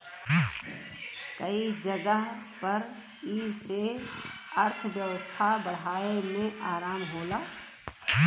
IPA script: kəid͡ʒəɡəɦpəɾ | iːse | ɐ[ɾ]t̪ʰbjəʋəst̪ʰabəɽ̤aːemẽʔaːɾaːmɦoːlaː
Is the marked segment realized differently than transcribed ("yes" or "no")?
no